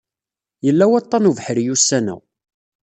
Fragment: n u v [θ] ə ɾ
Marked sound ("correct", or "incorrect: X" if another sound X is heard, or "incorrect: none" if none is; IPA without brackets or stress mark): incorrect: ħ